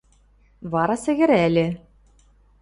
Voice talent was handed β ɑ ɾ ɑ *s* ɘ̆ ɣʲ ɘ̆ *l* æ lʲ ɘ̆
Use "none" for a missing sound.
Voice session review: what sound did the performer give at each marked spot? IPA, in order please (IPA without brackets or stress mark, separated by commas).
s, ɾ